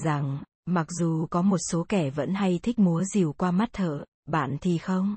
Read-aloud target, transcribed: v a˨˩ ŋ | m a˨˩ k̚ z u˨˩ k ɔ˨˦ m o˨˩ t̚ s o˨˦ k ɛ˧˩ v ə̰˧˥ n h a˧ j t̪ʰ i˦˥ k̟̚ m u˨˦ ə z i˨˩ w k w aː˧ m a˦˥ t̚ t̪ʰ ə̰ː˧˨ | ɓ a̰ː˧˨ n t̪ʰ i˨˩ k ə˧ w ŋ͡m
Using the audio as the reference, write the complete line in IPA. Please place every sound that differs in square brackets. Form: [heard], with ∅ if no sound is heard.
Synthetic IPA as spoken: [z] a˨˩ ŋ | m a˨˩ k̚ z u˨˩ k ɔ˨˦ m o˨˩ t̚ s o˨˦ k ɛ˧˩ v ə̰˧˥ n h a˧ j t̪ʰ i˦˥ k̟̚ m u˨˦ ə z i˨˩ w k w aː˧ m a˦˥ t̚ t̪ʰ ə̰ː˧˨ | ɓ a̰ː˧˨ n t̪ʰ i˨˩ [x] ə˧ w ŋ͡m